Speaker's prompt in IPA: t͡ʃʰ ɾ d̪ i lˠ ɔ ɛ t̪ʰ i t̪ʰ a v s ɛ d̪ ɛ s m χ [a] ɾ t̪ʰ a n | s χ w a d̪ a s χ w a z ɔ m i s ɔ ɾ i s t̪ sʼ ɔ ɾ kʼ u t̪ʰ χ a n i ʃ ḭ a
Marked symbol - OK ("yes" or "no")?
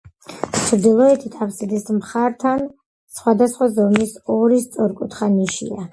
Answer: yes